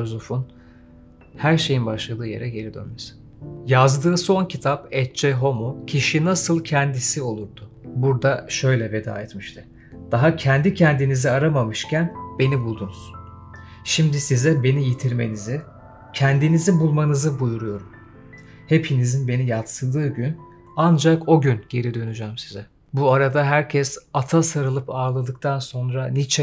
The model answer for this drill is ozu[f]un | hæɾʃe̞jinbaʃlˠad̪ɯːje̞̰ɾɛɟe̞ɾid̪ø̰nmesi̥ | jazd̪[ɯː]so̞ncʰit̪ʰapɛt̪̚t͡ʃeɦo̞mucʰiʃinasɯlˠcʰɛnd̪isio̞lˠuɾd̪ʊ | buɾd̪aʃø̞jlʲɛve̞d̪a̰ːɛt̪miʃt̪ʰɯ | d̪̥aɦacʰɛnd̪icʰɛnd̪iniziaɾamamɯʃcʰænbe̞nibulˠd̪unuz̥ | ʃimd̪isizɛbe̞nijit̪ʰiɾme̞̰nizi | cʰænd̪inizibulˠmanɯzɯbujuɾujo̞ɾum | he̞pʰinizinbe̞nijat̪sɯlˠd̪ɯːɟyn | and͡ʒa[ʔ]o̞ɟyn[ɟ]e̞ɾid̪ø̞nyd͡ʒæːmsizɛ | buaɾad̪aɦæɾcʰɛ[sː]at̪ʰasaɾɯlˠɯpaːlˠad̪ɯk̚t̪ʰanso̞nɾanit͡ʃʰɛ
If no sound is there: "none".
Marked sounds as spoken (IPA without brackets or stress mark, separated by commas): f, ɯː, k, ɟ, s